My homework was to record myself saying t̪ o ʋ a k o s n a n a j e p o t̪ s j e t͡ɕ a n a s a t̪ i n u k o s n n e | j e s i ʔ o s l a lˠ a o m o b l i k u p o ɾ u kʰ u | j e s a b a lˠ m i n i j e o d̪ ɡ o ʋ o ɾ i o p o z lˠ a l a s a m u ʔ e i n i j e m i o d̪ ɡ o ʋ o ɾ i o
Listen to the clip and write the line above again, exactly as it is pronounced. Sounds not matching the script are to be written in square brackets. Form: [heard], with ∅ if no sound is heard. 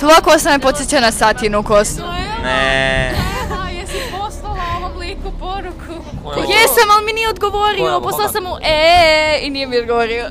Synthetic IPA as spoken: t̪ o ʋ a k o s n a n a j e p o t̪ s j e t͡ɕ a n a s a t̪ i n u k o s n n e | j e s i [p] o s l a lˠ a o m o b l i k u p o ɾ u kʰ u | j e s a [m] a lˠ m i n i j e o d̪ ɡ o ʋ o ɾ i o p o [s] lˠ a l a s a m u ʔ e i n i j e m i o d̪ ɡ o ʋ o ɾ i o